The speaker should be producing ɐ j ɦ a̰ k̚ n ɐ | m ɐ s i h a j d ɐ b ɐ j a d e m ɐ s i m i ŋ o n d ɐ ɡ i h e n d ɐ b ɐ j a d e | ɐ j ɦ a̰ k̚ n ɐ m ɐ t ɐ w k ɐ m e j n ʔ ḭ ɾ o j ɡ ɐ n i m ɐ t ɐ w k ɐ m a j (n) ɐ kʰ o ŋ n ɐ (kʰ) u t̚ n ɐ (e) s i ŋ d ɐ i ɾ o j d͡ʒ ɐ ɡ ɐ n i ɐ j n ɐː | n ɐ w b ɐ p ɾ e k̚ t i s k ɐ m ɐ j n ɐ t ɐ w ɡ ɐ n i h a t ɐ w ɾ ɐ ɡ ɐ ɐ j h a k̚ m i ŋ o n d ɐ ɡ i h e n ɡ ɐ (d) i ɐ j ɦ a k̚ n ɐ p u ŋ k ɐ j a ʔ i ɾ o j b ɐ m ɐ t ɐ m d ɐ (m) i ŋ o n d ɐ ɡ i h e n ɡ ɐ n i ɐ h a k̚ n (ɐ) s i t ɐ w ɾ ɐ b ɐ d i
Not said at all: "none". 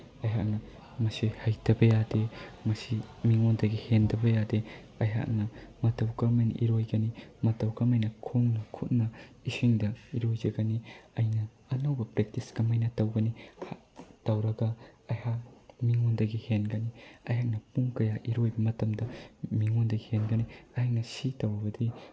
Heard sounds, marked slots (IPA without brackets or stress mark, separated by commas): n, kʰ, i, n, m, ɐ